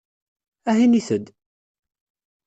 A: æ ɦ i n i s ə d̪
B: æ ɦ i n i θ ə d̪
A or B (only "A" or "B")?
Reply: B